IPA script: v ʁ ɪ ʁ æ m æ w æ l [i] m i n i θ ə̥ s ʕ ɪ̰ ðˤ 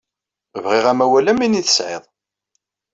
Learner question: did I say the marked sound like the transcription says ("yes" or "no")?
no